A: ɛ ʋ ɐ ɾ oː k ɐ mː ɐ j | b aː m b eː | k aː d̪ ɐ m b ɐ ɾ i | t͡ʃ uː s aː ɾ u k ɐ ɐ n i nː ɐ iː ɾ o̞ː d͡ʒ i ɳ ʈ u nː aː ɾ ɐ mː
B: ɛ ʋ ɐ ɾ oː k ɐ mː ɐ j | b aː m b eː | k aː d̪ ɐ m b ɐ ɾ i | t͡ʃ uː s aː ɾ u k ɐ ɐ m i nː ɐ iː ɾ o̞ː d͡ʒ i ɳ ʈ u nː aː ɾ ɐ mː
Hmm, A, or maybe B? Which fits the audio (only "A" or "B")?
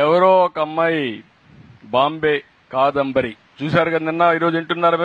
A